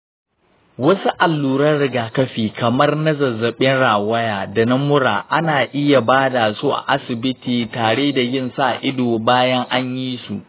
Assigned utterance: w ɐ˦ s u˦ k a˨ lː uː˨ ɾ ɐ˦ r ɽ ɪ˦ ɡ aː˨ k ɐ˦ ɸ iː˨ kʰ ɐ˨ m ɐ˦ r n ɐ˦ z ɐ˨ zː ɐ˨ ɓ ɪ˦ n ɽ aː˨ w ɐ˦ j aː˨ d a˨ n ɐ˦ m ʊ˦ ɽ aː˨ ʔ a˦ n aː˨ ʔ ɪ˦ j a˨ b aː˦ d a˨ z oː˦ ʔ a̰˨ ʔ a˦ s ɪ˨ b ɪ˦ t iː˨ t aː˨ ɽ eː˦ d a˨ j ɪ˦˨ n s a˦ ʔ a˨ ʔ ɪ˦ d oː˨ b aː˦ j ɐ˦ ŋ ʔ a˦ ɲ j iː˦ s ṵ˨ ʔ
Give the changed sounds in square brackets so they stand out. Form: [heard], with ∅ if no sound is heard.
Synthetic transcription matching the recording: w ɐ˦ s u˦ [ʔ] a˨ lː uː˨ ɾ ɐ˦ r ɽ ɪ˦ ɡ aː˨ k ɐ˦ ɸ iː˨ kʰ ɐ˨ m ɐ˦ r n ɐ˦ z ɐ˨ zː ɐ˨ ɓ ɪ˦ n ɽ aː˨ w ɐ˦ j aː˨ d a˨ n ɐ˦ m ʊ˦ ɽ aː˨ ʔ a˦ n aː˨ ʔ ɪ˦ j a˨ b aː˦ d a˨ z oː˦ ʔ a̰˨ ʔ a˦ s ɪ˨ b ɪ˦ t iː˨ t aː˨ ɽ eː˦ d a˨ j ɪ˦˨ n s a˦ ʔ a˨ ʔ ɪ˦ d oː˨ b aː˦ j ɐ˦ ŋ ʔ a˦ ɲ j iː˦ s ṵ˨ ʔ